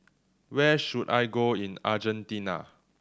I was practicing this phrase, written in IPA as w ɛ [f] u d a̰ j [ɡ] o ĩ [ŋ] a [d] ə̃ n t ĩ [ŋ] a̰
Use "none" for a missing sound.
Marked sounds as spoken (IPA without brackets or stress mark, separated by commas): ʃ, ɡ, n, d͡ʒ, n